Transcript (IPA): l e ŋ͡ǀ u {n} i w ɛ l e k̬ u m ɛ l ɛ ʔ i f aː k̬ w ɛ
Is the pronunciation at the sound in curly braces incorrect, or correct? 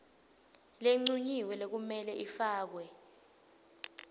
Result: incorrect: ɲ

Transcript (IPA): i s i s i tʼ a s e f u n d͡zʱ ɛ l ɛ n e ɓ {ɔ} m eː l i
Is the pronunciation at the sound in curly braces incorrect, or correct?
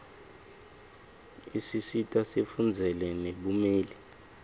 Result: incorrect: u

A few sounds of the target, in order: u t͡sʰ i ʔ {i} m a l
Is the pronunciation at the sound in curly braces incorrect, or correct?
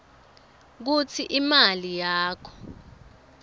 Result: correct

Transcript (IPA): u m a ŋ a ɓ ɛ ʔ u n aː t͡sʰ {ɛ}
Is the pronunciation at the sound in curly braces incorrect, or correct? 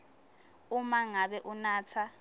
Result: incorrect: a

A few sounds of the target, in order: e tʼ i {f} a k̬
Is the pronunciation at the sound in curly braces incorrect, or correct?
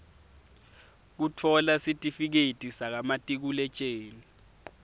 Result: incorrect: s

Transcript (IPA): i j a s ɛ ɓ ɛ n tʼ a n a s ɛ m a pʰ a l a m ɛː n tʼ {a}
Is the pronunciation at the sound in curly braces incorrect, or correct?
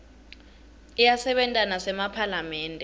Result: incorrect: ɛ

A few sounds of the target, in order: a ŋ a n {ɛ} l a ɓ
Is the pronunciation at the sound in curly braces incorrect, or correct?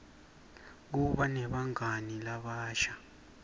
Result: incorrect: i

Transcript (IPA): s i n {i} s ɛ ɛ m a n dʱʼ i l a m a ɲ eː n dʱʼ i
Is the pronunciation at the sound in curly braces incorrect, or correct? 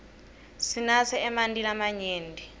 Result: incorrect: a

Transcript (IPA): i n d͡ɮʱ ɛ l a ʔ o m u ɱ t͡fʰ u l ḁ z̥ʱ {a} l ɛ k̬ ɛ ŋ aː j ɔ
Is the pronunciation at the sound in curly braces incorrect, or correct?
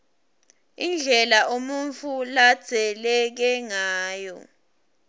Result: incorrect: ɛ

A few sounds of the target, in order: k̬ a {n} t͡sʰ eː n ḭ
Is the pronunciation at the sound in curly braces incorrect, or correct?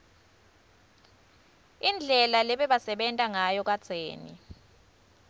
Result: incorrect: none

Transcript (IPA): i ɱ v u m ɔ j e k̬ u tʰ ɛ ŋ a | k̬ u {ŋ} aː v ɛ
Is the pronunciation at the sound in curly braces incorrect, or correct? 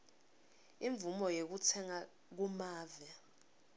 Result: incorrect: m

